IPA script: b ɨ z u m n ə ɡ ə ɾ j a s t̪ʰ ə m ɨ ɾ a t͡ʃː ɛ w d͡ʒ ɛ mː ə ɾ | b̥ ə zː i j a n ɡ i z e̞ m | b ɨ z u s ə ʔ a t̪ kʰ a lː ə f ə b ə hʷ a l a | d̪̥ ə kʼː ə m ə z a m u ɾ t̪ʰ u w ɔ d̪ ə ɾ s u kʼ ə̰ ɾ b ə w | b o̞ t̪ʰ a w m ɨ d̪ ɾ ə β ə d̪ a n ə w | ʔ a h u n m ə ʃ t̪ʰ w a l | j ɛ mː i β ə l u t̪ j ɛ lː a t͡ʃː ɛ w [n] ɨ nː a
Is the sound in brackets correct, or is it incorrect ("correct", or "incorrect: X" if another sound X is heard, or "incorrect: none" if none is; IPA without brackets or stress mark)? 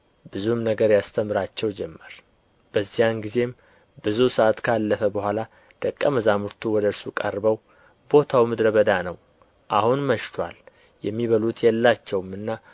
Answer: incorrect: m